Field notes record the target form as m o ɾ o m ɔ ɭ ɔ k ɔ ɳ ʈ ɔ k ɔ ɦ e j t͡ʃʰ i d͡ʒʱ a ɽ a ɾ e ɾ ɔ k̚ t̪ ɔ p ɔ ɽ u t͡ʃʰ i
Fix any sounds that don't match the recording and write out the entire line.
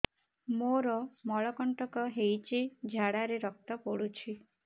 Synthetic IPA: m o ɾ ɔ m ɔ ɭ ɔ k ɔ ɳ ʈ ɔ k ɔ ɦ e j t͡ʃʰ i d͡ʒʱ a ɽ a ɾ e ɾ ɔ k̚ t̪ ɔ p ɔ ɽ u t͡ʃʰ i